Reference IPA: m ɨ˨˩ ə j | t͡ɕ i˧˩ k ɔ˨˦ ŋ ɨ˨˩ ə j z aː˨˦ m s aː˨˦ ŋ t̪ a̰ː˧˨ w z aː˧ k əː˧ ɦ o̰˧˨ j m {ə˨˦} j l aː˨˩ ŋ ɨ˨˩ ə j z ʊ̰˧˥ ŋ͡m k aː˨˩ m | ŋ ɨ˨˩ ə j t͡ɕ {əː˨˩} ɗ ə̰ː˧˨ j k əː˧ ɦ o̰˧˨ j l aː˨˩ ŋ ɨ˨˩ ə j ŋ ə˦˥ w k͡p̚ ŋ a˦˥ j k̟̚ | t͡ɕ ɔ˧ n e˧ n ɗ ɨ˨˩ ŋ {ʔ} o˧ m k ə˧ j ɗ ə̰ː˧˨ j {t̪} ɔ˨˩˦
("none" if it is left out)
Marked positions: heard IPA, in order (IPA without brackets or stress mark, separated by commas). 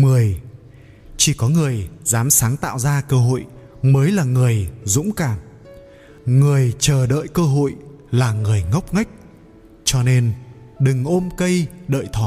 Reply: əː˨˦, əː˨˩, ʔ, t̪ʰ